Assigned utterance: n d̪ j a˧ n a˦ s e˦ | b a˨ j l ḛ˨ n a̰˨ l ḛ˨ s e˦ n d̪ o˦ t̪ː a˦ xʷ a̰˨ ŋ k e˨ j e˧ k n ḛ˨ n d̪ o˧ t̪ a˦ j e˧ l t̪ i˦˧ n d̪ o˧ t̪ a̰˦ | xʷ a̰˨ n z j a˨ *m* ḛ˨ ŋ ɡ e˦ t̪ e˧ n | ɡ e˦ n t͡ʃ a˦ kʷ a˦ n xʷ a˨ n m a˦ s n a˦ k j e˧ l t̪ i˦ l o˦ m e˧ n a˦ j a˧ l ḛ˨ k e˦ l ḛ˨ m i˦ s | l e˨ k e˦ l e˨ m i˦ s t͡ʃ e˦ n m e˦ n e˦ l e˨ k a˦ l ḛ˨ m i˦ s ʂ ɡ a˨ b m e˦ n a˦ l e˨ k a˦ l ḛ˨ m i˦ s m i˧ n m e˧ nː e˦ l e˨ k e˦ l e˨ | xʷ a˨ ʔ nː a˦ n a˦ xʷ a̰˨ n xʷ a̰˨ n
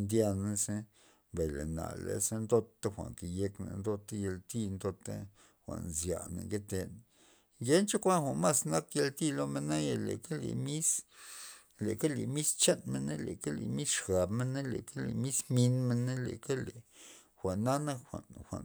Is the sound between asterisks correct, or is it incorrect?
incorrect